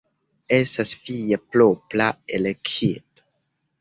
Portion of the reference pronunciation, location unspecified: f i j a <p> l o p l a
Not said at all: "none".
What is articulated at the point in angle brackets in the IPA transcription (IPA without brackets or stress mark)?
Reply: p